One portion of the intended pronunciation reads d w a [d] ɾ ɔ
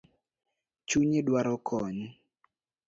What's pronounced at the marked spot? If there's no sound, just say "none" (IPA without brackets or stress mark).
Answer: none